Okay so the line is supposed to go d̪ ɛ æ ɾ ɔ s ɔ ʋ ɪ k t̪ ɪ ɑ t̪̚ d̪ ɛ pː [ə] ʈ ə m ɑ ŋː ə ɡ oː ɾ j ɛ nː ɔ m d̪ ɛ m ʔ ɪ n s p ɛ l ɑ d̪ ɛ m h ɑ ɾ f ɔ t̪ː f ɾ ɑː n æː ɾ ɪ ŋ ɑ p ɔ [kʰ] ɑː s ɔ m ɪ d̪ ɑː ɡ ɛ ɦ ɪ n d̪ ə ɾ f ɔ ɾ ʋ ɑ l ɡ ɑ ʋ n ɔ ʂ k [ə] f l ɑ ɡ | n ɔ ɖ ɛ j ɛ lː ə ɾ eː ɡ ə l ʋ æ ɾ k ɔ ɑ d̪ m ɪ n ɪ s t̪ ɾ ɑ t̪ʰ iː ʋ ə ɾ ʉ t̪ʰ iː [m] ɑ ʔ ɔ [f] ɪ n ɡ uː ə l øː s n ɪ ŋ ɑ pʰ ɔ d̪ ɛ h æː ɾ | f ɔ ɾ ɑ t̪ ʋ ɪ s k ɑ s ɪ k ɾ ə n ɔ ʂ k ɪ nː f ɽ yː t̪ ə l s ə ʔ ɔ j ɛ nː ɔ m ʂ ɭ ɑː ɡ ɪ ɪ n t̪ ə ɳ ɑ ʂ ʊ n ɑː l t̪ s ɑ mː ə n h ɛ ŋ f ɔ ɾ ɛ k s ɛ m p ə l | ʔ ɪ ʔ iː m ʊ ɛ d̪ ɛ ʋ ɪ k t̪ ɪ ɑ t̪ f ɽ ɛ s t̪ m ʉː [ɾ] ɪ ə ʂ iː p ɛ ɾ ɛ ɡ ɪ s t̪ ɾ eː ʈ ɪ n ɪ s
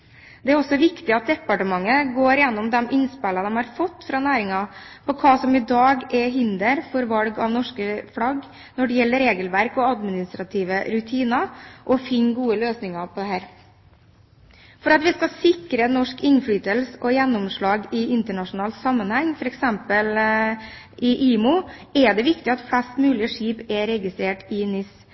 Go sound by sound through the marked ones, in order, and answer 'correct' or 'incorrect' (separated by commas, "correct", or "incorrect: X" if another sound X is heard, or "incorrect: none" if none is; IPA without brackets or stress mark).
incorrect: ɑ, correct, correct, incorrect: n, correct, incorrect: l